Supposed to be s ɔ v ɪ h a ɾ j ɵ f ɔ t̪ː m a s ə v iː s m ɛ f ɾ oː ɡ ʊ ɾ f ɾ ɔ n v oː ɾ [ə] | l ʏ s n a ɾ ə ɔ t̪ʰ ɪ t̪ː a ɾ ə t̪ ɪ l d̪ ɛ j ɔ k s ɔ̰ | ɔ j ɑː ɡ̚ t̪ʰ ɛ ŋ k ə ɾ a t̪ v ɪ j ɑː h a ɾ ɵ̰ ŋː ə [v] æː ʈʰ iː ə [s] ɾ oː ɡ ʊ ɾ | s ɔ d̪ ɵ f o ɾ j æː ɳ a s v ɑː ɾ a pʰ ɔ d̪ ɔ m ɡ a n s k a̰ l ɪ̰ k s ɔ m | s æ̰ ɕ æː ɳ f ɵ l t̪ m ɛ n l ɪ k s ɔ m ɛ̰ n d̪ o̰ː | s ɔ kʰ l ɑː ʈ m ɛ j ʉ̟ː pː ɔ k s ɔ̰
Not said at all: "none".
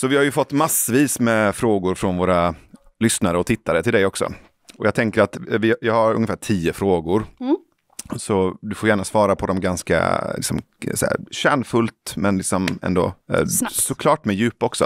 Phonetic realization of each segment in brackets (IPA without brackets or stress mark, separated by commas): a, f, f